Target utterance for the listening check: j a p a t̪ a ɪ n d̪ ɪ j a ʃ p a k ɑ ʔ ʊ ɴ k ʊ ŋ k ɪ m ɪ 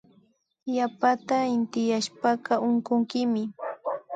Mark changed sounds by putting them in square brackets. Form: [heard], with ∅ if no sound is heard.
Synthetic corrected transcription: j a p a t̪ a ɪ n [t̪] ɪ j a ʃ p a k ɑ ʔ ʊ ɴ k ʊ ŋ k ɪ m ɪ